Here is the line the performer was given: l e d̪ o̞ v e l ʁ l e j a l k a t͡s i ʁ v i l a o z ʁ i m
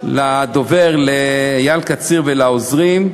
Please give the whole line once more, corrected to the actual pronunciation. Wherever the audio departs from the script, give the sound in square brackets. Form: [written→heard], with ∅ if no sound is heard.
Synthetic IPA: l [e→a] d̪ o̞ v e [l→∅] ʁ l e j a l k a t͡s i ʁ v [i→e] l a o z ʁ i m